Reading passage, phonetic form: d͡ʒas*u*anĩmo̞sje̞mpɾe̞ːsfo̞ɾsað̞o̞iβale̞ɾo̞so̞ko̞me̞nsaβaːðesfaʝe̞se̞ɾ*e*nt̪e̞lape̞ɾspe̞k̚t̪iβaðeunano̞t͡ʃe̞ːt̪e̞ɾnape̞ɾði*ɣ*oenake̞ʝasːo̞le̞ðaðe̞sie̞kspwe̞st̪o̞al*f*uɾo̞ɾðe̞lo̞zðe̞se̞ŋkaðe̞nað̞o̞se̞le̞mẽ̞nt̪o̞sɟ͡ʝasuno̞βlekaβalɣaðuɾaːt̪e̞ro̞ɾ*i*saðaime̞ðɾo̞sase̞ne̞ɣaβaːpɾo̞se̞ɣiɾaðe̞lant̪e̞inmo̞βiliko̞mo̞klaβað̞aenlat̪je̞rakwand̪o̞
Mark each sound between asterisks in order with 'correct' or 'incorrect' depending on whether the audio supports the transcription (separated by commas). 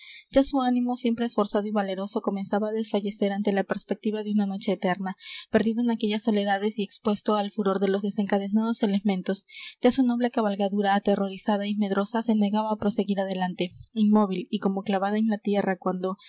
correct, incorrect, incorrect, correct, correct